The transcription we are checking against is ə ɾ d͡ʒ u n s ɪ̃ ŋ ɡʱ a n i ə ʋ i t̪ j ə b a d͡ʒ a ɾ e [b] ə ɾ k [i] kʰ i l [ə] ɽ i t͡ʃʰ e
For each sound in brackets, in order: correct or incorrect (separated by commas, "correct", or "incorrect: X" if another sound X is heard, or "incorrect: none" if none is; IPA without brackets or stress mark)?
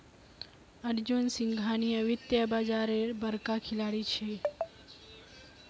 correct, incorrect: a, incorrect: a